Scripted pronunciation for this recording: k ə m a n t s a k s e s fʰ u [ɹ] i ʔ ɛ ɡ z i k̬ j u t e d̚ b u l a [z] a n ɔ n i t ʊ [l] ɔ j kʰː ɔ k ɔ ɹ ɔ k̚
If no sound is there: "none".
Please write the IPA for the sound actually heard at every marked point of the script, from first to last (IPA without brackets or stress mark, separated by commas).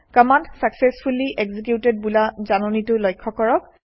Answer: l, z, l